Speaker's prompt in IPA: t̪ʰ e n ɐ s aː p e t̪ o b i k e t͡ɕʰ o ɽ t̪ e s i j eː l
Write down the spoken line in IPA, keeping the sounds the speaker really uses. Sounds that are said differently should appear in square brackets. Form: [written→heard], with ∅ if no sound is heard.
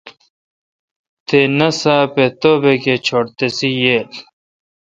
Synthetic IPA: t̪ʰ e n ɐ s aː p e t̪ o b [i→e] k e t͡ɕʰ o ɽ t̪ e s i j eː l